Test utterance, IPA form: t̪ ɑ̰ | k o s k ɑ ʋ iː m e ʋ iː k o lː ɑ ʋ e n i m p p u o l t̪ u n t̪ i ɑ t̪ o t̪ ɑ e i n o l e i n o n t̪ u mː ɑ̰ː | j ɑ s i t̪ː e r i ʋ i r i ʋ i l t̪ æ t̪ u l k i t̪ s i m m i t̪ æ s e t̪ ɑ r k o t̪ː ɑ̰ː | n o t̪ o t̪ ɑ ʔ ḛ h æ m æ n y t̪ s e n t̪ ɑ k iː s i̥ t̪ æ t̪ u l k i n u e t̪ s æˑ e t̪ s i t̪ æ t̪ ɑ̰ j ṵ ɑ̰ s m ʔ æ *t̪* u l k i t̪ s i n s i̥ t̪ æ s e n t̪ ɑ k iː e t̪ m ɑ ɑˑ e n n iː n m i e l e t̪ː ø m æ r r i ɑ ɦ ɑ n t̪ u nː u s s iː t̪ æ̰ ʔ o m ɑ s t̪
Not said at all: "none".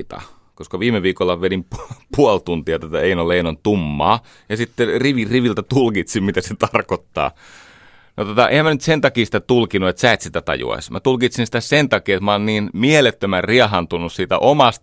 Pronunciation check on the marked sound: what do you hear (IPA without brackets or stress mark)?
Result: t̪